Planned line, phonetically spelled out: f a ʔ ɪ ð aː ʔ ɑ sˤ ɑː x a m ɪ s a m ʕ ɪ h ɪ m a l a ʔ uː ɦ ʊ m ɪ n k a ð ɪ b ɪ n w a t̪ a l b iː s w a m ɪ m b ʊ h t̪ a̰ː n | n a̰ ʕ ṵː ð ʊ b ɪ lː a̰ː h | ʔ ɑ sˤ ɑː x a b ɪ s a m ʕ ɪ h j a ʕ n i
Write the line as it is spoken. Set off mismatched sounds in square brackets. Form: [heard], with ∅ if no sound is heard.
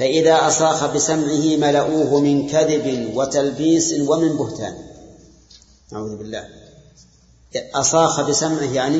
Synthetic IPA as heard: f a ʔ ɪ ð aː ʔ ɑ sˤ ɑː x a [b] ɪ s a m ʕ ɪ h ɪ m a l a ʔ uː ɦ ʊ m ɪ n k a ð ɪ b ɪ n w a t̪ a l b iː s w a m ɪ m b ʊ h t̪ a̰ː n | n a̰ ʕ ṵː ð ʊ b ɪ lː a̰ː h | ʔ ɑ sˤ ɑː x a b ɪ s a m ʕ ɪ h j a ʕ n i